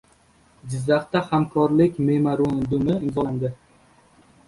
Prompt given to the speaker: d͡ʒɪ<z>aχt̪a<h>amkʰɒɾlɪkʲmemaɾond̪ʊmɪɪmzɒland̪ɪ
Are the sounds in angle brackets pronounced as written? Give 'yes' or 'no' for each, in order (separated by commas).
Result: no, yes